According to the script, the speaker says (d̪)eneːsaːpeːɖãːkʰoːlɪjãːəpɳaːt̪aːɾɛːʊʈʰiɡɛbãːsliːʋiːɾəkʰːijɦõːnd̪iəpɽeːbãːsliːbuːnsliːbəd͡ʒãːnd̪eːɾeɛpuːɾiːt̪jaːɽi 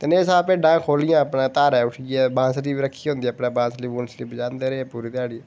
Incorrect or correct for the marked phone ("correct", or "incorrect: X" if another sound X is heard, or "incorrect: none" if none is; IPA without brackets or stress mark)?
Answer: incorrect: t̪